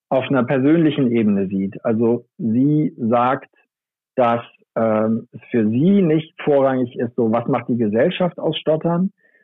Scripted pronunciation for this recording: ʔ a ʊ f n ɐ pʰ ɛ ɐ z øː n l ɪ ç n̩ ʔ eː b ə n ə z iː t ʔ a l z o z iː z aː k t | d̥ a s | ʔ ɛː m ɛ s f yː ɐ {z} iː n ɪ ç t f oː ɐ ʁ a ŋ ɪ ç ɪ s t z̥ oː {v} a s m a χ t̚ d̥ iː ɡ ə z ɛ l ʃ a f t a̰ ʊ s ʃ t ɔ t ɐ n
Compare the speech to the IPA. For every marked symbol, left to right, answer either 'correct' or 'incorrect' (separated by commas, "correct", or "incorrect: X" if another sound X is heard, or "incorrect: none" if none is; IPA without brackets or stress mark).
correct, correct